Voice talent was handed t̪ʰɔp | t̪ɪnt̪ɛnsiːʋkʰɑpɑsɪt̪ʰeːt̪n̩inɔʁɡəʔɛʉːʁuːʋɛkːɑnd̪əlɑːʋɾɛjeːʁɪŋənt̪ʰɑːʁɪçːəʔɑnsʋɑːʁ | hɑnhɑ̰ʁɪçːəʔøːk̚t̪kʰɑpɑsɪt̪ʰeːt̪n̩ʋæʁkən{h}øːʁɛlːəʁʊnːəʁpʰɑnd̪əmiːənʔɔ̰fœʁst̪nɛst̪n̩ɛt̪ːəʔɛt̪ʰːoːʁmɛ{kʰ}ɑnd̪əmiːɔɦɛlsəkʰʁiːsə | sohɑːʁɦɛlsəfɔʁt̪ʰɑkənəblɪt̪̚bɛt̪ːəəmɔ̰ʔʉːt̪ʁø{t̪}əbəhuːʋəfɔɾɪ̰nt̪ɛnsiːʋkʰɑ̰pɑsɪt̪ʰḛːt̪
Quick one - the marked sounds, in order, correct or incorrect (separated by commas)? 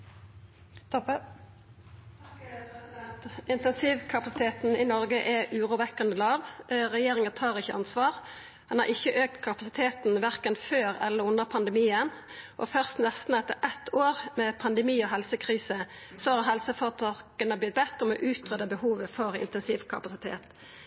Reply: incorrect, incorrect, incorrect